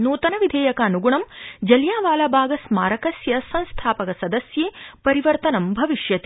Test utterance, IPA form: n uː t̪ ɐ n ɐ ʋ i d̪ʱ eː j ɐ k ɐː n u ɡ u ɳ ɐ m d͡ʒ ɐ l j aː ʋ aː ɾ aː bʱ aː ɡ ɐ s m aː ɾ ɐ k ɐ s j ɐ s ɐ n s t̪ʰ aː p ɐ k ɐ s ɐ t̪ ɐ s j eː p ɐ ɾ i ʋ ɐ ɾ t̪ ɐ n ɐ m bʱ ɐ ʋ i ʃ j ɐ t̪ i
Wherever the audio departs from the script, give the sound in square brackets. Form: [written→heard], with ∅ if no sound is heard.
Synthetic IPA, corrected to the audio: n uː t̪ ɐ n ɐ ʋ i d̪ʱ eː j ɐ k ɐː n u ɡ u ɳ ɐ m d͡ʒ ɐ l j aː ʋ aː [ɾ→l] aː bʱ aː ɡ ɐ s m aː ɾ ɐ k ɐ s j ɐ s ɐ n s t̪ʰ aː p ɐ k ɐ s ɐ [t̪→d̪] ɐ s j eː p ɐ ɾ i ʋ ɐ ɾ t̪ ɐ n ɐ m bʱ ɐ ʋ i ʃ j ɐ t̪ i

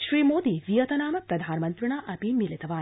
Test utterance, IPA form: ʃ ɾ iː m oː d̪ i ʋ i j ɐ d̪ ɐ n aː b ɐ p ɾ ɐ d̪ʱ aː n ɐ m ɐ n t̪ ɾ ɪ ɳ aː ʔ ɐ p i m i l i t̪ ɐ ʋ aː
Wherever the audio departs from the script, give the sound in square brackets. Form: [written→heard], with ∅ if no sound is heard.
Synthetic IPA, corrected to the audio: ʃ ɾ iː m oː d̪ i ʋ i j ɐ [d̪→t̪] ɐ n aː [b→m] ɐ p ɾ ɐ d̪ʱ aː n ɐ m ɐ n t̪ ɾ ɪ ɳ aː ʔ ɐ p i m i l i t̪ ɐ ʋ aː

